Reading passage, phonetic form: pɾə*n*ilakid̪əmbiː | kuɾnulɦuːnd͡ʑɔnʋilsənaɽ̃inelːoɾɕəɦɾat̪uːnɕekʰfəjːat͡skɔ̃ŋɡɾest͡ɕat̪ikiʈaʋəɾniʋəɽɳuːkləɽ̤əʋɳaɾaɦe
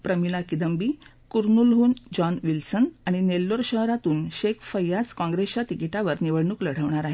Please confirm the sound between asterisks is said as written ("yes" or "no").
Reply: no